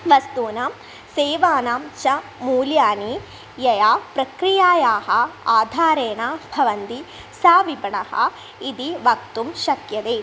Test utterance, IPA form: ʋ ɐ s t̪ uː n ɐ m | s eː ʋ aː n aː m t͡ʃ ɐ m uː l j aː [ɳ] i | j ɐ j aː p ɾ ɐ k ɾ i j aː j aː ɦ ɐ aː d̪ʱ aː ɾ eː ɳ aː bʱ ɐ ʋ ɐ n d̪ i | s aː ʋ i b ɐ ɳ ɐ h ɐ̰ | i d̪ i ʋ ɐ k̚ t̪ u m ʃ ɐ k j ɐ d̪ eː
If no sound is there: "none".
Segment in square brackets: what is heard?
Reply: n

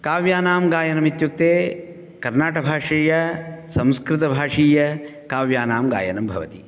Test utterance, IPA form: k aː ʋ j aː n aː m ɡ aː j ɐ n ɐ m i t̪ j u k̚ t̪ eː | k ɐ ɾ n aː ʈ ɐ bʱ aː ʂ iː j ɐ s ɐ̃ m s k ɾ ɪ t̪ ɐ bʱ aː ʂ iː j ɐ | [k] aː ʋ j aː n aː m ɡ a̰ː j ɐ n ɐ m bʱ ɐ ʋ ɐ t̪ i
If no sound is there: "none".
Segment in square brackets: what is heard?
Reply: k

